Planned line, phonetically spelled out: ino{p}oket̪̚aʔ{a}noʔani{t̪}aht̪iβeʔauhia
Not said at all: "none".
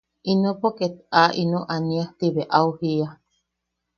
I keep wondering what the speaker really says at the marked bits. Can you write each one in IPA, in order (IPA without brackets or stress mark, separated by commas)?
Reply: p, i, none